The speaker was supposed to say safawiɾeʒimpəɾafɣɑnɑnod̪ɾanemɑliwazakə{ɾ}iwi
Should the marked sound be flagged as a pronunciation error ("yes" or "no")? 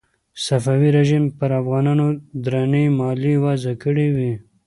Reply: yes